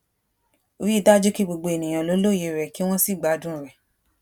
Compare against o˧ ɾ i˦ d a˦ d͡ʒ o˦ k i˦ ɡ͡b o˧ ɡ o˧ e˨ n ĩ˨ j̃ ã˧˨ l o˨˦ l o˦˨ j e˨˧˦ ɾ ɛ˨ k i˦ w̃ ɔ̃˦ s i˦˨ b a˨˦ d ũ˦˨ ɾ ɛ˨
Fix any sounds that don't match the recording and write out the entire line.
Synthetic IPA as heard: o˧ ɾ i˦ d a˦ d͡ʒ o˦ k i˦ ɡ͡b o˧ ɡ͡b o˧ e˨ n ĩ˨ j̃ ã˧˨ l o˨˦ l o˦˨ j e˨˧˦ ɾ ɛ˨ k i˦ w̃ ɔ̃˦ s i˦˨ ɡ͡b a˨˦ d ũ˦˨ ɾ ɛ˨